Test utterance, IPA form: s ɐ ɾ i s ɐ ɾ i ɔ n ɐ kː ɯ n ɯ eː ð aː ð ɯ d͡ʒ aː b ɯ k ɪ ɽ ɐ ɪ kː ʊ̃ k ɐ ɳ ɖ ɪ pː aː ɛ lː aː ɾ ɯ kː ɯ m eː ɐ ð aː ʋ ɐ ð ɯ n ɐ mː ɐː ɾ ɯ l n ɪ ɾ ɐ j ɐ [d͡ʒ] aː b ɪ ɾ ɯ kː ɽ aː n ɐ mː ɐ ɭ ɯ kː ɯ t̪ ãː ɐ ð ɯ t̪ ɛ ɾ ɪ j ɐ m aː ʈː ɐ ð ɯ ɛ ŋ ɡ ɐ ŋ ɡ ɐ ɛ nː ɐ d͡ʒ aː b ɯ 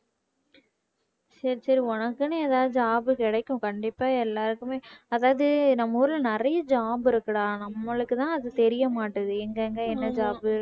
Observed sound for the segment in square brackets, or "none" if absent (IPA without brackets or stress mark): d͡ʒ